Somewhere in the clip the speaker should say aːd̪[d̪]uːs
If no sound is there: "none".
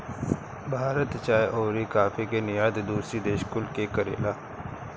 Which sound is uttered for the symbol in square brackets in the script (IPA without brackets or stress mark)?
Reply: d̪